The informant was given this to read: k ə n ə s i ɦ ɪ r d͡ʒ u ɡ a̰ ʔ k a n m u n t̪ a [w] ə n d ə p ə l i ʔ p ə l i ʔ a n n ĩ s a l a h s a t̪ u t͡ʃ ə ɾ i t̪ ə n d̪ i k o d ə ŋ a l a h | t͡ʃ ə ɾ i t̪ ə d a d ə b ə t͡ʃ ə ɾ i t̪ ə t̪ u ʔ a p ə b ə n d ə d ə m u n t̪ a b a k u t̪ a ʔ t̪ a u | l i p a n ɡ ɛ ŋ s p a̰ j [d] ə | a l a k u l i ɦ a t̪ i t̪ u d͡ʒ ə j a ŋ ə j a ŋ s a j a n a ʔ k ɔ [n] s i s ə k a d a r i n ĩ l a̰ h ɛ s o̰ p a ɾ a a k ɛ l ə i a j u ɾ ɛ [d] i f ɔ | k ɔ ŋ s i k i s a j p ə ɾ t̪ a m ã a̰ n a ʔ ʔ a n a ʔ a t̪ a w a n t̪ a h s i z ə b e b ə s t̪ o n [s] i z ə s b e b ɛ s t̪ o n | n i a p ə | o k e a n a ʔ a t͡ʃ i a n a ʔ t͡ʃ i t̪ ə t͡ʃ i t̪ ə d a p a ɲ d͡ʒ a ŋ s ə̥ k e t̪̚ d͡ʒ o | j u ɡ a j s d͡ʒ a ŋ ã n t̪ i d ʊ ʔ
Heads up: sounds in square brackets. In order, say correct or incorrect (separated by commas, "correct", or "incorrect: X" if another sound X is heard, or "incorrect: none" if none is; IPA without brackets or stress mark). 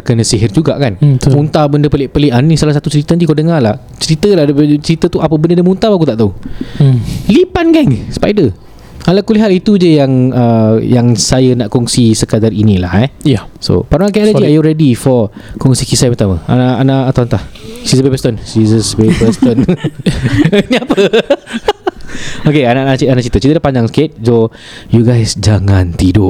incorrect: b, correct, incorrect: ŋ, correct, correct